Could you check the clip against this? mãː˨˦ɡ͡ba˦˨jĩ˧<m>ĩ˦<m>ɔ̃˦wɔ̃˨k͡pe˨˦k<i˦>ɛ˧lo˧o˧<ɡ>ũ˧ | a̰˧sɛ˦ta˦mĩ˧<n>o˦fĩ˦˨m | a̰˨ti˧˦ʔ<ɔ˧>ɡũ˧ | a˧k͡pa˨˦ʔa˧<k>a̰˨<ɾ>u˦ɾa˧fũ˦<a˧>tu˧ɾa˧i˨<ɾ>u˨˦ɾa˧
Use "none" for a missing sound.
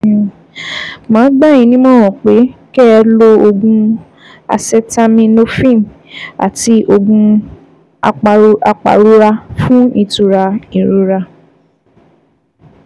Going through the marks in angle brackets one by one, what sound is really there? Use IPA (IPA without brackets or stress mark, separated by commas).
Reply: n, m, ɛ˦, ɡ, n, o˧, k͡p, ɾ, i˧, ɾ